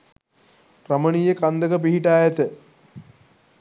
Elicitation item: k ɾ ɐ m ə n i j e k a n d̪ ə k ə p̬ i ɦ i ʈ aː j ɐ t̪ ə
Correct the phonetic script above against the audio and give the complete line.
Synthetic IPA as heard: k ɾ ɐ m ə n i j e k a n d̪ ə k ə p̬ i ɦ i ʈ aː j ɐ t̪ ə

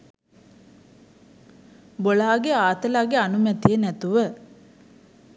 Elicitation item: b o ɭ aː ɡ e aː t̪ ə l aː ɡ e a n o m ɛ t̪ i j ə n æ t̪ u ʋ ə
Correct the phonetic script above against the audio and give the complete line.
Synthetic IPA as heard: b o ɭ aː ɡ e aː t̪ ə l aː ɡ e a n u m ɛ t̪ i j ə n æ t̪ u ʋ ə

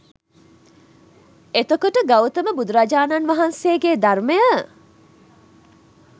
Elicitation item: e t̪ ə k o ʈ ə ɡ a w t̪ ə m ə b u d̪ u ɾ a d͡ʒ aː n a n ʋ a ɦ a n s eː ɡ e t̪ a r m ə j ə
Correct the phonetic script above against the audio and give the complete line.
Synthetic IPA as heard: e t̪ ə k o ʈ ə ɡ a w t̪ ə m ə b u d̪ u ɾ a d͡ʒ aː n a n ʋ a ɦ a n s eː ɡ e d̪ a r m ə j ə

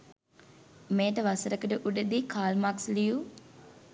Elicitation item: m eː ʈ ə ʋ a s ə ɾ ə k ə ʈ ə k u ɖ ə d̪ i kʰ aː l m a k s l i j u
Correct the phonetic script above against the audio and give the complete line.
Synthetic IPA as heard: m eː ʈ ə ʋ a s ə ɾ ə k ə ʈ ə ʔ u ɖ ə d̪ i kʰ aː l m a k s l i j u

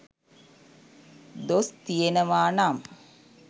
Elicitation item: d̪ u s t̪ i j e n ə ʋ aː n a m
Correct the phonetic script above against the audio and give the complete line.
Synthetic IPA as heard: d̪ o s t̪ i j e n ə ʋ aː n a m

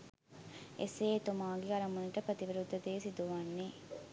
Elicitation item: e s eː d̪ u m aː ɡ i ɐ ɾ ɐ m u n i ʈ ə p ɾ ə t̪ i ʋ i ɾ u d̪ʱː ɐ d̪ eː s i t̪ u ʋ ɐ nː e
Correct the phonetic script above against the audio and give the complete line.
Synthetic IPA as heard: e s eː t̪ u m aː ɡ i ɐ ɾ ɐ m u n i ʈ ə p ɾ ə t̪ i ʋ i ɾ u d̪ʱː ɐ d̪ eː s i d̪ u ʋ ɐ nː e

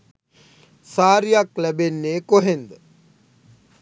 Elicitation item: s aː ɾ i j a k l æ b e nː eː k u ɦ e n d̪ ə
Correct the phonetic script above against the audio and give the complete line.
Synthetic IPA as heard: s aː ɾ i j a k l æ b e nː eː k o ɦ e n d̪ ə

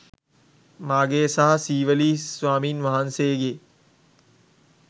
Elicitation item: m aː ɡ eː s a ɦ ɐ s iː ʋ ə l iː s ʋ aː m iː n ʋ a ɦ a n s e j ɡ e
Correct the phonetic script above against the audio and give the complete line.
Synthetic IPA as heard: m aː ɡ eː s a ɦ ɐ s iː ʋ ə l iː s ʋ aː m iː n ʋ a ɦ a n s e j ɡ e

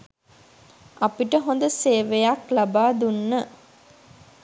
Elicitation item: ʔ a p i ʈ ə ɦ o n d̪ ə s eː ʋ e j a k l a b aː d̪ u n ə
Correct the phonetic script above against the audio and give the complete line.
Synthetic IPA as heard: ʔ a p i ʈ ə ɦ o n d̪ ə s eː ʋ e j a k l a b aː d̪ u nː ə

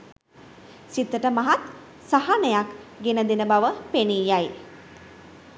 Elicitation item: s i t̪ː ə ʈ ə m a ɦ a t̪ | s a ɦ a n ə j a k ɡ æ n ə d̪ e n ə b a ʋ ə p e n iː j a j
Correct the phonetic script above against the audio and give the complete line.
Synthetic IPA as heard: s i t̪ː ə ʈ ə m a ɦ a t̪ | s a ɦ a n ə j a k ɡ e n ə d̪ e n ə b a ʋ ə p e n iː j a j

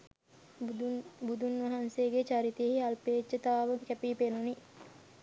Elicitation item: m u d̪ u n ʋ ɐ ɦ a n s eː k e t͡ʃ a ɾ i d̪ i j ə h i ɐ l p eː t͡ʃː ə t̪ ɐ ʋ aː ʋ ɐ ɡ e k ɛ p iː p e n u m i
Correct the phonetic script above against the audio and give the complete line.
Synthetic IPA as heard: b u d̪ u n ʋ ɐ ɦ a n s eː ɡ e t͡ʃ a ɾ i t̪ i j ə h i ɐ l p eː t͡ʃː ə t̪ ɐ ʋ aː ʋ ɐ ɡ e k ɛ p iː p e n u n i

